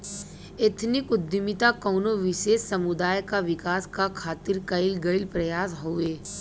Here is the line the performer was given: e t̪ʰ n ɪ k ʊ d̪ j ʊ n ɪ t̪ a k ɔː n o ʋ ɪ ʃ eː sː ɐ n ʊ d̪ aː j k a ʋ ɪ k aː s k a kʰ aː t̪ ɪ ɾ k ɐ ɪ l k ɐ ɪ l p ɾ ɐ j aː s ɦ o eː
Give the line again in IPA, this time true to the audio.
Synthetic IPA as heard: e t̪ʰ n ɪ k ʊ d̪ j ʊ m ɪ t̪ a k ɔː n o ʋ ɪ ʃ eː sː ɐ m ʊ d̪ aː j k a ʋ ɪ k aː s k a kʰ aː t̪ ɪ ɾ k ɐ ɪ l ɡ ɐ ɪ l p ɾ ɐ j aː s ɦ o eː